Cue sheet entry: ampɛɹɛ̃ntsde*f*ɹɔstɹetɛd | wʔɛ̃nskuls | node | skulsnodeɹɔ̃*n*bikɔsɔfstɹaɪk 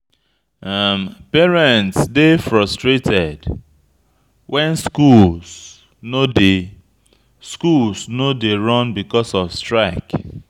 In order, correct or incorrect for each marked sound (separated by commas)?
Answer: correct, correct